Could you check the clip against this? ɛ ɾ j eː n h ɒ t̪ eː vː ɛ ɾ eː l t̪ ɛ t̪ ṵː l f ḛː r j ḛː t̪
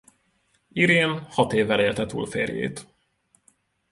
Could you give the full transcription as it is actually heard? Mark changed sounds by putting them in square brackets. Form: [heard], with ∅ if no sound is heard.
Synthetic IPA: [i] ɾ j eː n h ɒ t̪ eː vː ɛ [l] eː l t̪ ɛ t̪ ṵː l f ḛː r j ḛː t̪